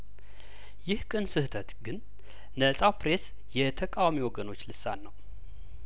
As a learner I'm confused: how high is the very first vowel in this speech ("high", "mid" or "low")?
high